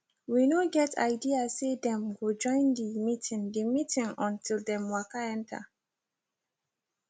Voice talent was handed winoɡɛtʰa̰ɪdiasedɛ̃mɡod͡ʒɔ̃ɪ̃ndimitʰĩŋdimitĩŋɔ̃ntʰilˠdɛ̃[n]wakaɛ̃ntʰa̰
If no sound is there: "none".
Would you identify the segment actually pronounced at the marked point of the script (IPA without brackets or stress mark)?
m